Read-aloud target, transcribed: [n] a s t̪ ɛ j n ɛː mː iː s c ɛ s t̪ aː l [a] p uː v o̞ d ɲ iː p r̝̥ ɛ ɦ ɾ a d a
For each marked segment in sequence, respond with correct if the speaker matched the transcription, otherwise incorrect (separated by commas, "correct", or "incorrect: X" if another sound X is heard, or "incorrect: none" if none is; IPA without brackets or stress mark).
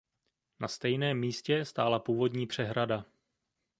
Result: correct, correct